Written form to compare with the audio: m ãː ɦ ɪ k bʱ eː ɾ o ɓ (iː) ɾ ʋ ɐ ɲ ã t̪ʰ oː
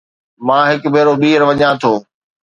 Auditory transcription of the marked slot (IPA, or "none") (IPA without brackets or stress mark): iː